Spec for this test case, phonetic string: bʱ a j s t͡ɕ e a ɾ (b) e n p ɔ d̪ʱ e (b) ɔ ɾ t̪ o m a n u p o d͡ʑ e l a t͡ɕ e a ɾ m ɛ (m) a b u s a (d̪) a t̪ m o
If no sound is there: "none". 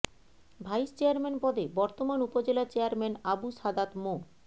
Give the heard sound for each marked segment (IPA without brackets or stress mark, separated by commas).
m, b, n, d̪